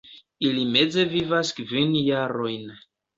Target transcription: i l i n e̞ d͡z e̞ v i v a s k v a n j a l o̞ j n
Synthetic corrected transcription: i l i m e̞ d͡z e̞ v i v a s k v i n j a ɾ o̞ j n

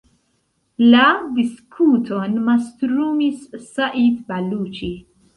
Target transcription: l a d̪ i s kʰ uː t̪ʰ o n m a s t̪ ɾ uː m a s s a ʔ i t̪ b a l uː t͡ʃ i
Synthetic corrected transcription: l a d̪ i s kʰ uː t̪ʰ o n m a s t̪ ɾ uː m i s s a ʔ i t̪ b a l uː t͡ʃ i

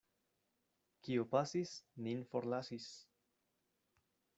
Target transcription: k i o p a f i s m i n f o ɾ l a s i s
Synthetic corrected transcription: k i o p a s i s n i n f o ɾ l a s i s

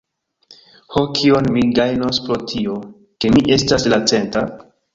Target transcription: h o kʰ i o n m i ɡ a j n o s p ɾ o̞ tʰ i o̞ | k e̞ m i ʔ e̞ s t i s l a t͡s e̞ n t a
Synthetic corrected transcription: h o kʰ i o n m i ɡ a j n o s p ɾ o̞ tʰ i o̞ | k e̞ m i ʔ e̞ s t a s l a t͡s e̞ n t a

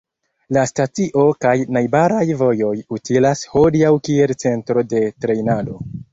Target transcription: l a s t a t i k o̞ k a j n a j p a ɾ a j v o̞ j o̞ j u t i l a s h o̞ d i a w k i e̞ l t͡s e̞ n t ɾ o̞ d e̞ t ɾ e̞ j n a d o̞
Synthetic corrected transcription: l a s t a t i ʔ o̞ k a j n a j b a ɾ a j v o̞ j o̞ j u t i l a s h o̞ d i a w k i e̞ l t͡s e̞ n t ɾ o̞ d e̞ t ɾ e̞ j n a d o̞

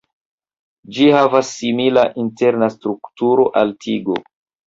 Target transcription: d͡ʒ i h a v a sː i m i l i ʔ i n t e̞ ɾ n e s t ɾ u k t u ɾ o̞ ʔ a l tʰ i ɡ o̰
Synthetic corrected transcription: d͡ʒ i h a v a sː i m i l a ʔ i n t e̞ ɾ n a s t ɾ u k t u ɾ o̞ ʔ a l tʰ i ɡ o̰

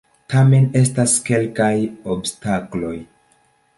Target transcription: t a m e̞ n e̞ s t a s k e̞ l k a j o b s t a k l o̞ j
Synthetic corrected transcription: t a m e̞ n e̞ s t a s k e̞ l k a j o b s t a k l o̞ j

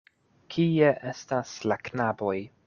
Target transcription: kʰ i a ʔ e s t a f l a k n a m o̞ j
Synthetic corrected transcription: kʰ i e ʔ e s t a s l a k n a b o̞ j

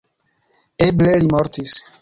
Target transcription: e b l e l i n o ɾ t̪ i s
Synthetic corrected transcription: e b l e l i m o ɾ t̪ i s

